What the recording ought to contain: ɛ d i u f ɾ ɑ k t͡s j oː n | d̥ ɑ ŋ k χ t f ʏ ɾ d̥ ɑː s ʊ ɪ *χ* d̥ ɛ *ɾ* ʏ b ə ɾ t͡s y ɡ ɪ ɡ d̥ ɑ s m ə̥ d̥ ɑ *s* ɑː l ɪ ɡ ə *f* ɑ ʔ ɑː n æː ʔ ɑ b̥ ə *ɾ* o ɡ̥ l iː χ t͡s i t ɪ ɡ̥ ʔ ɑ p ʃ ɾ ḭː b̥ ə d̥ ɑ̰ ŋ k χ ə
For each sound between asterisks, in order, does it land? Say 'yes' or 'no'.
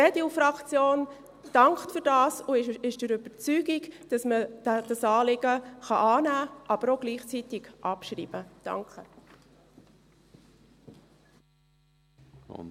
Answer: no, yes, yes, no, yes

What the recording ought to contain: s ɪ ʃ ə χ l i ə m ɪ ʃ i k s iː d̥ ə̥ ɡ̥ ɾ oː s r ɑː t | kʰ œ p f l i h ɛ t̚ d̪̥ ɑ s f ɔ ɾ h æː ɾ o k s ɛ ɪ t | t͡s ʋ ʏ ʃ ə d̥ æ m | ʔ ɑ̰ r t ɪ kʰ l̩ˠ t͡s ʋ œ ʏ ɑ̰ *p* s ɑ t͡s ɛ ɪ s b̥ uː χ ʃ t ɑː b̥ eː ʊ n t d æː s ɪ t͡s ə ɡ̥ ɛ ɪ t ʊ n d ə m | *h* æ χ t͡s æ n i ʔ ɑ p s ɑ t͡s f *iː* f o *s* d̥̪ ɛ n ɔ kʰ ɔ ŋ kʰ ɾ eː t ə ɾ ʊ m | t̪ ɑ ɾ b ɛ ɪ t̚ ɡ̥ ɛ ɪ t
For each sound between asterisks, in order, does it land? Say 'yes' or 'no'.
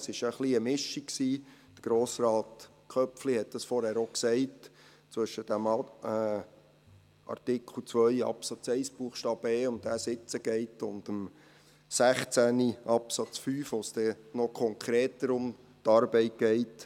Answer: yes, no, no, yes

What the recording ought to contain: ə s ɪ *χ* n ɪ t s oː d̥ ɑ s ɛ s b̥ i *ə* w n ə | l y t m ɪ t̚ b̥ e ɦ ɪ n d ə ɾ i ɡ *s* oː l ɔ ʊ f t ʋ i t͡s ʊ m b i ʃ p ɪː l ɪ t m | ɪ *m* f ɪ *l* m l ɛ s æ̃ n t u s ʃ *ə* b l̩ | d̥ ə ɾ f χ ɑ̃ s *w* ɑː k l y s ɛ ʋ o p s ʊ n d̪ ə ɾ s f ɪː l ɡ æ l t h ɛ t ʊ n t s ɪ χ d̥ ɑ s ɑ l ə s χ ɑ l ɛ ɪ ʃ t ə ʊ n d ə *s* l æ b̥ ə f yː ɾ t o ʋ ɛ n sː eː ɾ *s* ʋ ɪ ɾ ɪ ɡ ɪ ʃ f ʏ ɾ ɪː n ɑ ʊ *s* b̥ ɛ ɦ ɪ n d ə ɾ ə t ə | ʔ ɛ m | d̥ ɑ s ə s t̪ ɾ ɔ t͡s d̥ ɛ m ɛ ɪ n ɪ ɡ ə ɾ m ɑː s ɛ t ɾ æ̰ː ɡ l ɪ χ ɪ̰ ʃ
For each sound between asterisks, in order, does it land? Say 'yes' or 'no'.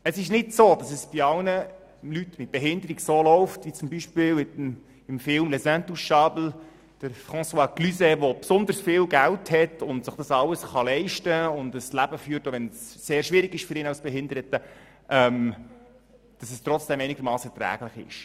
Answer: no, no, yes, yes, yes, no, yes, yes, no, yes

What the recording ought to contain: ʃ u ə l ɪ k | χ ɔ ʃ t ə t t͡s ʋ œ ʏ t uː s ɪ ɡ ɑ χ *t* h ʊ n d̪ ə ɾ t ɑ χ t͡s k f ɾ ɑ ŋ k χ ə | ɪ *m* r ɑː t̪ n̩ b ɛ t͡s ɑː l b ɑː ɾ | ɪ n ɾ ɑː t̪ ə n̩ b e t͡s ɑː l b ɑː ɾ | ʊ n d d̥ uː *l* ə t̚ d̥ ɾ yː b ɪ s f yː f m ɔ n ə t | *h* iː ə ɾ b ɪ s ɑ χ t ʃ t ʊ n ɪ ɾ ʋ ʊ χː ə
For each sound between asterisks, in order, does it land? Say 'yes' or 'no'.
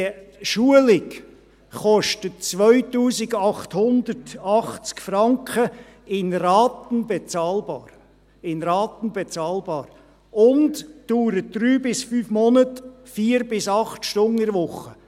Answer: yes, no, no, no

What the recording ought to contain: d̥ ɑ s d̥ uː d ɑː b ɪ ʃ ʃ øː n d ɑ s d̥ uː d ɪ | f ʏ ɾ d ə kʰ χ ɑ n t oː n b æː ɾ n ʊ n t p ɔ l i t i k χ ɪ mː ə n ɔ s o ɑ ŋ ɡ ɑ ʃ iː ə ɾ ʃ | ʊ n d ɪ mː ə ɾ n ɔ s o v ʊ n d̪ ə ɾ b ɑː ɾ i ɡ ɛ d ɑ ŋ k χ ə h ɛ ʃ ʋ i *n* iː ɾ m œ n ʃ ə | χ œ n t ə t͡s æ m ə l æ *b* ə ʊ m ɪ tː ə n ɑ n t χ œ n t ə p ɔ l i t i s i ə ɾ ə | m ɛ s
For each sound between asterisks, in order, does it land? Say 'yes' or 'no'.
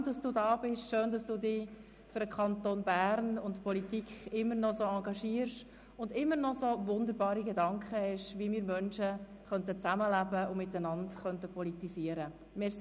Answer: no, yes

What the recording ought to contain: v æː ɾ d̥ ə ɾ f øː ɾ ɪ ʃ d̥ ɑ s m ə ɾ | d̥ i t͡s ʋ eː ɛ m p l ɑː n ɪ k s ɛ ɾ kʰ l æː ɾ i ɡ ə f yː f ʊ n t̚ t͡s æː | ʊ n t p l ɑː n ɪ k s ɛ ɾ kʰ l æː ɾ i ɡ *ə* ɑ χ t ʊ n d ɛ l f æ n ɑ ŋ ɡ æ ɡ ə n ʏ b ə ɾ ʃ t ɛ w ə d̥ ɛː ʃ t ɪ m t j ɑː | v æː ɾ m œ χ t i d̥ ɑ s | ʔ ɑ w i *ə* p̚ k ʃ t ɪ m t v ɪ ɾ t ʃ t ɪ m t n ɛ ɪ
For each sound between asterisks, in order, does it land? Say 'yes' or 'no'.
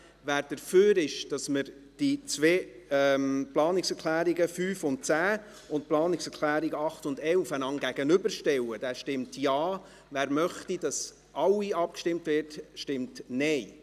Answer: yes, no

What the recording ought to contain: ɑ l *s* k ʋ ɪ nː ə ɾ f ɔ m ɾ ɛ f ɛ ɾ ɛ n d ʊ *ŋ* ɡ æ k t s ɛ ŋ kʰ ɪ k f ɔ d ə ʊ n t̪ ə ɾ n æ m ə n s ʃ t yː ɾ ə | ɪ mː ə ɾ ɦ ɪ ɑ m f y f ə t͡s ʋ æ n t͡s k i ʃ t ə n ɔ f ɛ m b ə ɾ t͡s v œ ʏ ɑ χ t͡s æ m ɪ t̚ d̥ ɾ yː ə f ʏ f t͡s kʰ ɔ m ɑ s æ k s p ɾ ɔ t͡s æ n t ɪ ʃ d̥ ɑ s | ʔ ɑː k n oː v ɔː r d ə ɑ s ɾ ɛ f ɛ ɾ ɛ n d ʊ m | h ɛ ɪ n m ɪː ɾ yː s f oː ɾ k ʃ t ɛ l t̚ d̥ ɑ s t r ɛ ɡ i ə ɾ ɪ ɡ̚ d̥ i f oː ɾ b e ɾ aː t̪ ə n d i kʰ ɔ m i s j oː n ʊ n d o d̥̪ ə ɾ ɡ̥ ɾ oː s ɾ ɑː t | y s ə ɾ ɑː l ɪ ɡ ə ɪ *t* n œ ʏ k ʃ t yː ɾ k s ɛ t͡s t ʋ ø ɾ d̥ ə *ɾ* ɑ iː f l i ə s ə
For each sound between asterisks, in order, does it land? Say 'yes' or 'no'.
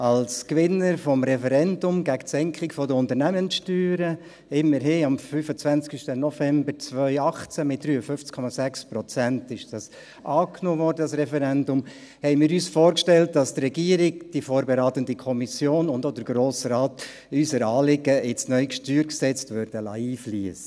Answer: yes, no, no, no

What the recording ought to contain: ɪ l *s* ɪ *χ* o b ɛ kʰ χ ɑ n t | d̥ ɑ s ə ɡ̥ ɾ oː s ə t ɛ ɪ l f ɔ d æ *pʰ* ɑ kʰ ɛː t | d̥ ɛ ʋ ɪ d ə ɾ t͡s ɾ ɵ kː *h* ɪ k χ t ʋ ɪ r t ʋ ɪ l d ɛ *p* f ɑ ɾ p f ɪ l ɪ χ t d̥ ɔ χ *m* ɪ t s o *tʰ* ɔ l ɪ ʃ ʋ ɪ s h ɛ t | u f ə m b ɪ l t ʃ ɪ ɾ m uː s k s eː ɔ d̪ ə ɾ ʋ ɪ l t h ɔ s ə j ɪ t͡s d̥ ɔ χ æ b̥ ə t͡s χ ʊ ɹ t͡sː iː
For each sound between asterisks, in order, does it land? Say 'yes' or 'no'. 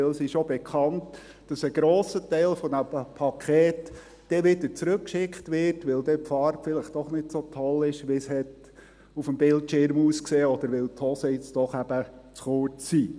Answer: yes, no, yes, no, yes, no, yes

